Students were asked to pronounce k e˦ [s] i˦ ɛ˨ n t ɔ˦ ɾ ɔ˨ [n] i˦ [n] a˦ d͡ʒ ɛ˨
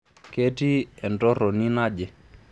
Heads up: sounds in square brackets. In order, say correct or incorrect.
incorrect, correct, correct

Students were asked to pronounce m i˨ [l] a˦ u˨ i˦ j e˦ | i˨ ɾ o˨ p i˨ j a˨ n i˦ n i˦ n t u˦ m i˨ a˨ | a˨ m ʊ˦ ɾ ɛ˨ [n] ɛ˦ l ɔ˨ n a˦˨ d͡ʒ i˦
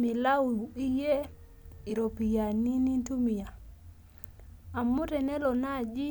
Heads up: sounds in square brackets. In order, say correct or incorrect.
correct, correct

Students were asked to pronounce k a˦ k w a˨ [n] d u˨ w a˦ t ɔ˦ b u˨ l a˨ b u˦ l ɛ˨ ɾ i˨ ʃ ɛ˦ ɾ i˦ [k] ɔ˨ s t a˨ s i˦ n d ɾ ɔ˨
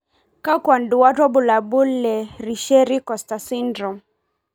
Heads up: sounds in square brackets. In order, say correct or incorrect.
correct, correct

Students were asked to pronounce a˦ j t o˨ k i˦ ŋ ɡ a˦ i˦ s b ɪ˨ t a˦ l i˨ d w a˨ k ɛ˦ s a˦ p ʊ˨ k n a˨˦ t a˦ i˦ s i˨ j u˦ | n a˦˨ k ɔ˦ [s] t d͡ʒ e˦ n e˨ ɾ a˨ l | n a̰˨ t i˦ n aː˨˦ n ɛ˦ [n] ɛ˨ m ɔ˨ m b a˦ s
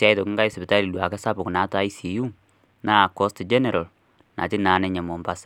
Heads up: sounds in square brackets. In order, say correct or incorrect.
correct, incorrect

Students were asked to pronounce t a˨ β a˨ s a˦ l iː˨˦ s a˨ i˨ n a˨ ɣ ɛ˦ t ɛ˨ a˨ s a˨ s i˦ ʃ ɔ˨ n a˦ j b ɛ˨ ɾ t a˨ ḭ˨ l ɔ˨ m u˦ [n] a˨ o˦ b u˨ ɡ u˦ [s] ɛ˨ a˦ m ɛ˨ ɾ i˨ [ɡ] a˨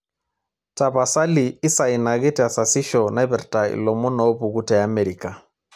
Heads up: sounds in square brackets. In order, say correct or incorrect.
correct, incorrect, incorrect

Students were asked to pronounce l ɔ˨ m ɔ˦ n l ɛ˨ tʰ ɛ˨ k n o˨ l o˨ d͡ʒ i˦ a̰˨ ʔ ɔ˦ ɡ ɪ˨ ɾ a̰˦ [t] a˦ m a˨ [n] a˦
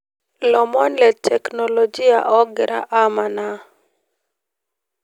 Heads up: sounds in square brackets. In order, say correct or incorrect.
incorrect, correct

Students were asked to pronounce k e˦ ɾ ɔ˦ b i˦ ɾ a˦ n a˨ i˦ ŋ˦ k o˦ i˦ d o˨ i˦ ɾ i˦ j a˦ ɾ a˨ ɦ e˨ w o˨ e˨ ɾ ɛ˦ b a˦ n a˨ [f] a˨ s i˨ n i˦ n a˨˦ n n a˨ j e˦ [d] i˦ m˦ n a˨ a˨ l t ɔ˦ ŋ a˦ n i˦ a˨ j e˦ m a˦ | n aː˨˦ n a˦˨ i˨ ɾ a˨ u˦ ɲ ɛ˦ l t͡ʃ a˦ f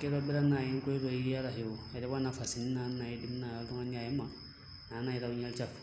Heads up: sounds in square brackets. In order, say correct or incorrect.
correct, correct

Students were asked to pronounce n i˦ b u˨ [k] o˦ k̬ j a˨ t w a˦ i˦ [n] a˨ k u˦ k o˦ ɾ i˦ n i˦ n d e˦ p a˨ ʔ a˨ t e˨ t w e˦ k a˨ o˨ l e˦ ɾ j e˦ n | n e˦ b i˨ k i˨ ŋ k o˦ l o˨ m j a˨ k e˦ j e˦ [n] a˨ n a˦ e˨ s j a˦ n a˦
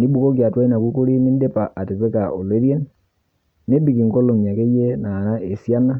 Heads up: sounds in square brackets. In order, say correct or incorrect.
correct, correct, correct

